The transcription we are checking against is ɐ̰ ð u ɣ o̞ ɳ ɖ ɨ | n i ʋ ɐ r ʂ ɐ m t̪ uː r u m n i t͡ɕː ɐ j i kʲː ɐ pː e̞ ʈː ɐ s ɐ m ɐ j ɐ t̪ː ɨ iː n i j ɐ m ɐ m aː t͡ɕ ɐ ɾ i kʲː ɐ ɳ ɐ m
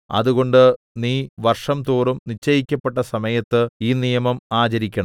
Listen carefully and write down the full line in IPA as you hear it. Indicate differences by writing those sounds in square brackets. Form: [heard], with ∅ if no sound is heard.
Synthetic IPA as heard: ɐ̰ ð u ɣ o̞ ɳ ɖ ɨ | n [iː] ʋ ɐ r ʂ ɐ m t̪ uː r u m n i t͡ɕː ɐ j i kʲː ɐ pː e̞ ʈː ɐ s ɐ m ɐ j ɐ t̪ː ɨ iː n i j ɐ m ɐ m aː t͡ɕ ɐ ɾ i kʲː ɐ ɳ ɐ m